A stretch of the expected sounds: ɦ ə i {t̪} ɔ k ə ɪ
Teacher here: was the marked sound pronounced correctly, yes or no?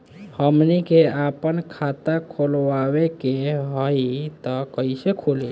yes